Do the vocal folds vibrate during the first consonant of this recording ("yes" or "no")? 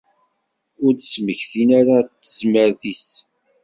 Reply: yes